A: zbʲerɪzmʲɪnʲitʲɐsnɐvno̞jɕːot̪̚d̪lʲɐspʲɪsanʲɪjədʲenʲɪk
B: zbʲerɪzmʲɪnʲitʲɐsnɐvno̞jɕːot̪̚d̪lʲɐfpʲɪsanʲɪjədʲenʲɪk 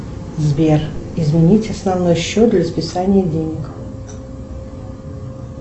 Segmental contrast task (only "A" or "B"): A